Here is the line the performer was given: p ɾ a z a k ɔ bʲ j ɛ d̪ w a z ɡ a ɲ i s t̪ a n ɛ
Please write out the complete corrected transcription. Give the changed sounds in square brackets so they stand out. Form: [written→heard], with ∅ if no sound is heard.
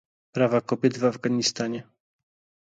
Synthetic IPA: p ɾ a [z→v] a k ɔ bʲ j ɛ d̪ [w→v] a [z→v] ɡ a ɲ i s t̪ a [n→ɲ] ɛ

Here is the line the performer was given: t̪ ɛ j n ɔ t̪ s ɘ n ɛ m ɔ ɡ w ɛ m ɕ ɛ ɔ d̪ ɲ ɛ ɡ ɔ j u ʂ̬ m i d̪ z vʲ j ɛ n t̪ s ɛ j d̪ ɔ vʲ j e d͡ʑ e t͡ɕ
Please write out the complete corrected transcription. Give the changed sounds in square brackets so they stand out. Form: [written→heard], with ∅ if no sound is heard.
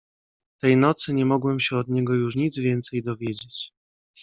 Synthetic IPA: t̪ ɛ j n ɔ t̪ s ɘ [n→ɲ] ɛ m ɔ ɡ w ɛ m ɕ ɛ ɔ d̪ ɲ ɛ ɡ ɔ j u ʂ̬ [m→ɲ] i d̪ z vʲ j ɛ n t̪ s ɛ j d̪ ɔ vʲ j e d͡ʑ e t͡ɕ

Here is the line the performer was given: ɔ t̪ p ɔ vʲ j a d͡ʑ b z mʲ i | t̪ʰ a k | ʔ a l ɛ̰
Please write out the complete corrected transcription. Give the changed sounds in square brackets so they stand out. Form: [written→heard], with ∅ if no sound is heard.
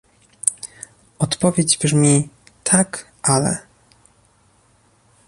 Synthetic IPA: ɔ t̪ p ɔ vʲ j [a→e] d͡ʑ b [z→ʐ] mʲ i | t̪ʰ a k | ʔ a l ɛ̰

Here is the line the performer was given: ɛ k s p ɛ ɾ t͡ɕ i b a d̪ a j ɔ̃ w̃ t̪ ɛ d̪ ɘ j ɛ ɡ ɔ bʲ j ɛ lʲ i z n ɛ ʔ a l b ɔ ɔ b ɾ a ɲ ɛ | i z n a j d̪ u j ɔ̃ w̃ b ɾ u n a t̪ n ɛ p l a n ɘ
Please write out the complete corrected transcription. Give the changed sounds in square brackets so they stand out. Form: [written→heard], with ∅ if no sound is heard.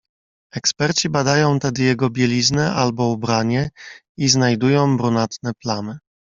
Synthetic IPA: ɛ k s p ɛ ɾ t͡ɕ i b a d̪ a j ɔ̃ w̃ t̪ ɛ d̪ ɘ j ɛ ɡ ɔ bʲ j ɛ lʲ i z n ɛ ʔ a l b ɔ [ɔ→u] b ɾ a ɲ ɛ | i z n a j d̪ u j ɔ̃ w̃ b ɾ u n a t̪ n ɛ p l a n ɘ

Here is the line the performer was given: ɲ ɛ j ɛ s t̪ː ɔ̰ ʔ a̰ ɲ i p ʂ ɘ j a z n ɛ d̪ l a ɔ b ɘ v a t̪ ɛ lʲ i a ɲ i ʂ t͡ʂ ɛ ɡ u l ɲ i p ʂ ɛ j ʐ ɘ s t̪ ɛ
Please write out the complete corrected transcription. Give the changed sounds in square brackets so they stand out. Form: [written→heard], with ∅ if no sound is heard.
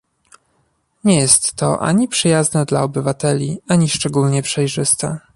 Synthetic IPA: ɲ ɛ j ɛ s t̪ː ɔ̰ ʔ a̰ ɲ i p ʂ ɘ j a z n ɛ d̪ l a ɔ b ɘ v a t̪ ɛ lʲ i a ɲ i ʂ t͡ʂ ɛ ɡ u l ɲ [i→ɛ] p ʂ ɛ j ʐ ɘ s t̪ ɛ

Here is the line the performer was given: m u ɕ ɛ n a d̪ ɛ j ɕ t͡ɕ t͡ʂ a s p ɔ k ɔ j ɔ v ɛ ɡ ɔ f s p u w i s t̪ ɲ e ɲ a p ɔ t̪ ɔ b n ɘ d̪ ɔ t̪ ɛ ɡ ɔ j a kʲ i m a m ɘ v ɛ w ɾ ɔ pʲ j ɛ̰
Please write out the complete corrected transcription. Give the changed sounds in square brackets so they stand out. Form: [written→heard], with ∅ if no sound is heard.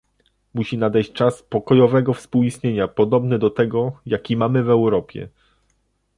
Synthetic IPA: m u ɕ [ɛ→i] n a d̪ ɛ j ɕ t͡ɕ t͡ʂ a s p ɔ k ɔ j ɔ v ɛ ɡ ɔ f s p u w i s t̪ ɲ e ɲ a p ɔ [t̪→d̪] ɔ b n ɘ d̪ ɔ t̪ ɛ ɡ ɔ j a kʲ i m a m ɘ v ɛ w ɾ ɔ pʲ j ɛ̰

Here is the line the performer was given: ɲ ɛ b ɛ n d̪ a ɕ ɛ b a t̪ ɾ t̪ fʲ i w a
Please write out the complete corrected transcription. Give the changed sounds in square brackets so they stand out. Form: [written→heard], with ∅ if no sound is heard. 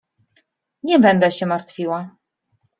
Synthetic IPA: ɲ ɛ b ɛ n d̪ [a→ɛ] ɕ ɛ [b→m] a [t̪→∅] ɾ t̪ fʲ i w a

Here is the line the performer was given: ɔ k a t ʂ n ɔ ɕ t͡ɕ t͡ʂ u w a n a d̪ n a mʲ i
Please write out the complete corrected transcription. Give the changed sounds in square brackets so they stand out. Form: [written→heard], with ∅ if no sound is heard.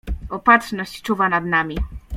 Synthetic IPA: ɔ [k→p] a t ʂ n ɔ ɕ t͡ɕ t͡ʂ u [w→v] a n a d̪ n a mʲ i

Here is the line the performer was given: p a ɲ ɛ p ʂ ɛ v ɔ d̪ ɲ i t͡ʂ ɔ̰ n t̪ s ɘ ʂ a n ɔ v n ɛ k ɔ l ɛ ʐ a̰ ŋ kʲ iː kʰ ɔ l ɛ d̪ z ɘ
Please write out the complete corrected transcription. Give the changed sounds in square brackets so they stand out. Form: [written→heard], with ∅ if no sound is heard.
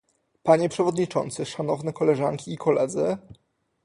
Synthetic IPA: p a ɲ ɛ p ʂ ɛ v ɔ d̪ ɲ i t͡ʂ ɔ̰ n t̪ s ɘ ʂ a n ɔ v n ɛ k ɔ l ɛ ʐ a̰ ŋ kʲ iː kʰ ɔ l ɛ d̪ z ɘ

